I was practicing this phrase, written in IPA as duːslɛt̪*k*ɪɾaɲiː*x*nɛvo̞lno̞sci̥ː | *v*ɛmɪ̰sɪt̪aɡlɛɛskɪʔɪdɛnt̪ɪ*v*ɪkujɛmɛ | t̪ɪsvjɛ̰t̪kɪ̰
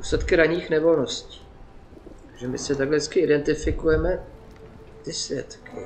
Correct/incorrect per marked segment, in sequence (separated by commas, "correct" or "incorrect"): correct, correct, incorrect, incorrect